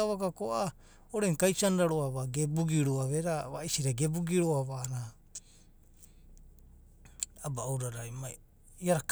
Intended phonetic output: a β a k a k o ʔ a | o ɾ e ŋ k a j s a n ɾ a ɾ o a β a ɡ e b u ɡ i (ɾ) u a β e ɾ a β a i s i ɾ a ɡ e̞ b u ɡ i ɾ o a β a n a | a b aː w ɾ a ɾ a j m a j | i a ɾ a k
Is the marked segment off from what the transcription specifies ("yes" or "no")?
no